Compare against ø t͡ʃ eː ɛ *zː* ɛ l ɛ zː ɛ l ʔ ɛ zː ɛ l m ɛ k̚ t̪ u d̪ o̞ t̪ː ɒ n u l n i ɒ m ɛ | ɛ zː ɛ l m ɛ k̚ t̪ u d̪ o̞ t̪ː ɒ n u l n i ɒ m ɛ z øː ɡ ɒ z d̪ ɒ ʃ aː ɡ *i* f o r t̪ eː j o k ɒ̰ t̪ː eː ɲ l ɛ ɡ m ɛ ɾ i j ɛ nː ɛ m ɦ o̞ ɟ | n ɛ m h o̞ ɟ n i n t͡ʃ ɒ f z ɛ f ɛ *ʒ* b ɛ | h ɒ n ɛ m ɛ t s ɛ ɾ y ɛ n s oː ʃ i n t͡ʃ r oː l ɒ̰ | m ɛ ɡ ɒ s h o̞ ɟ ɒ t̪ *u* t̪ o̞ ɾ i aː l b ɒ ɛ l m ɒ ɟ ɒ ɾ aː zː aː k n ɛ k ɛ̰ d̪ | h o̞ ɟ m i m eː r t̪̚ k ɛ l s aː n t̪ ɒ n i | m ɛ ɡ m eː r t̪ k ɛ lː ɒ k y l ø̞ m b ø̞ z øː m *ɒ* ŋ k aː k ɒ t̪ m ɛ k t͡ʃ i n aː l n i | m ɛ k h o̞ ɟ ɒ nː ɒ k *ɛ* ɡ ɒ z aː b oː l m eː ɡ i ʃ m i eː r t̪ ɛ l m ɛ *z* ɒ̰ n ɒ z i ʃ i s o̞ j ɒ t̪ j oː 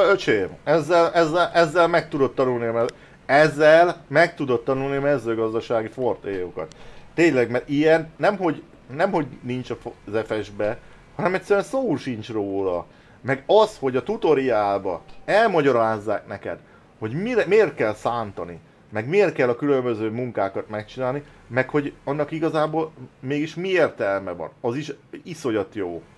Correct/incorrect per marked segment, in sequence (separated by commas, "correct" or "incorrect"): correct, correct, correct, correct, incorrect, incorrect, incorrect